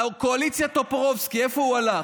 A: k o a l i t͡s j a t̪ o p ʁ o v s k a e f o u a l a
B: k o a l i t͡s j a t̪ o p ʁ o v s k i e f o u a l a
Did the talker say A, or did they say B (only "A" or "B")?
B